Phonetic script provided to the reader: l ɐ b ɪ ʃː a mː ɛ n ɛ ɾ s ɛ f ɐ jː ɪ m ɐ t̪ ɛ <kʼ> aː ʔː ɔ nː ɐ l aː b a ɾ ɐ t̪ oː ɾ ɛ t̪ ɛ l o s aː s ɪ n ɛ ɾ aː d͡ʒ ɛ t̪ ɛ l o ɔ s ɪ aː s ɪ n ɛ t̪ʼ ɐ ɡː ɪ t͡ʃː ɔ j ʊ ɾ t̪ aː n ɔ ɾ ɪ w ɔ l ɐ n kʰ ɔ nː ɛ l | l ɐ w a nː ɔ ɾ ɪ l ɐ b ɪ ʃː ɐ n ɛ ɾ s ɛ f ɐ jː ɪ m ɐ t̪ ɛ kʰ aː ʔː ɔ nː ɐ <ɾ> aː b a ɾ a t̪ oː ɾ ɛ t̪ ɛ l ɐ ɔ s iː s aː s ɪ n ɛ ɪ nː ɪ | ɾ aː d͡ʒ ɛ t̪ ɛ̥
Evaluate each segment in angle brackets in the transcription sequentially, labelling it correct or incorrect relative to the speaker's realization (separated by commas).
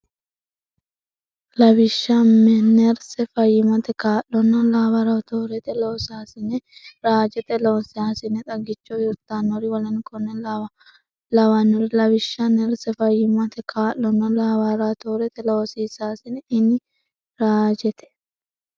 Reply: incorrect, incorrect